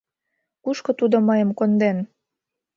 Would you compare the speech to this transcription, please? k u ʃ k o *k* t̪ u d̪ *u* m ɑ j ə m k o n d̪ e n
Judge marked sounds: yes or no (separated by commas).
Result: no, no